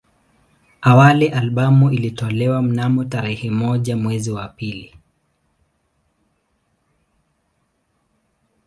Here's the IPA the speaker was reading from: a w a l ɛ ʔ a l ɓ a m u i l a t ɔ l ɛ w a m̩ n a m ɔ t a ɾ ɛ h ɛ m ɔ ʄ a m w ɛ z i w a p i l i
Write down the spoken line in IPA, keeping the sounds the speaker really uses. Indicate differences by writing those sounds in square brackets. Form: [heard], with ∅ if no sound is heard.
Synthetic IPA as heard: a w a l ɛ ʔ a l ɓ a m u i l [i] t ɔ l ɛ w a m̩ n a m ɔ t a ɾ ɛ h ɛ m ɔ ʄ a m w ɛ z i w a p i l i